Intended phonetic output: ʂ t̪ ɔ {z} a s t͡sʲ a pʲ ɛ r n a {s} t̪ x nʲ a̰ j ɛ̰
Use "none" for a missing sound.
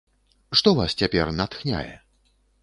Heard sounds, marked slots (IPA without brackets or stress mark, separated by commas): v, none